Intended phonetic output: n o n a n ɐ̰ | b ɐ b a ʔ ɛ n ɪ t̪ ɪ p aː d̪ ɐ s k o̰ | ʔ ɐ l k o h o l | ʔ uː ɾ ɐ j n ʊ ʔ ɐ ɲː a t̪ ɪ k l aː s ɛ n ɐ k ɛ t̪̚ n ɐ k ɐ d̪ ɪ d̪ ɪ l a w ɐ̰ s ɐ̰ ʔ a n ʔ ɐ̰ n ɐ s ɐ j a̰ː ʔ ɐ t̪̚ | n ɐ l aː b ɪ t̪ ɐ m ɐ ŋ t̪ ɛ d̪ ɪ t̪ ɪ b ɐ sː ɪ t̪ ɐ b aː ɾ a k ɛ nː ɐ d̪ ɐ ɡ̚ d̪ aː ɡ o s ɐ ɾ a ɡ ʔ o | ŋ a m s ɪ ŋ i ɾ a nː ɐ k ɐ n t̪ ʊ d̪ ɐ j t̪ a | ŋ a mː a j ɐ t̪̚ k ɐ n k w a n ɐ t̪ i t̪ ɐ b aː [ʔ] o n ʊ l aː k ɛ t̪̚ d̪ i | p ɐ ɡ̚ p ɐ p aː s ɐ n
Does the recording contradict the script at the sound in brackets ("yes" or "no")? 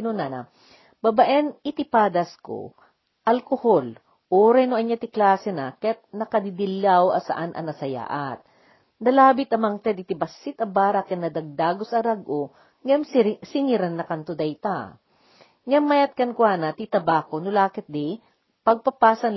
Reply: yes